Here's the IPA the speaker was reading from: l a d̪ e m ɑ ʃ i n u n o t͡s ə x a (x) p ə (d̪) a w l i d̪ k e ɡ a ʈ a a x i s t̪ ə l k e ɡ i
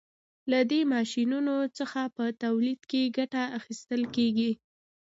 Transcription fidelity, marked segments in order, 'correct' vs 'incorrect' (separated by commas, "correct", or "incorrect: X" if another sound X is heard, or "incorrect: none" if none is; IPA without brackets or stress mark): incorrect: none, incorrect: t̪